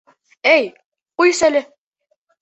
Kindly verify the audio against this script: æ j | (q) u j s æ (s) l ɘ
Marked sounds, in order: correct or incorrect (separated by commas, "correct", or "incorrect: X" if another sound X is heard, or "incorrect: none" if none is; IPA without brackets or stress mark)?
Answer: correct, incorrect: none